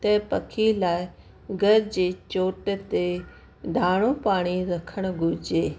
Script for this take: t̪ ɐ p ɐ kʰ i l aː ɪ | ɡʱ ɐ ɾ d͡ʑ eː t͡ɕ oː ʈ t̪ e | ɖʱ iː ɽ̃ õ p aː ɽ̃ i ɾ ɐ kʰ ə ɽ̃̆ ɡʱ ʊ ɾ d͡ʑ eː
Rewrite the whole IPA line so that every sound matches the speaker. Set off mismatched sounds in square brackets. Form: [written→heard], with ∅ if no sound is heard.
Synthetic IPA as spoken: t̪ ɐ p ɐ kʰ i l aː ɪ | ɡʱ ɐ ɾ d͡ʑ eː t͡ɕ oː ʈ t̪ e | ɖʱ [iː→aː] ɽ̃ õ p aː ɽ̃ i ɾ ɐ kʰ ə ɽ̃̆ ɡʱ ʊ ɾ d͡ʑ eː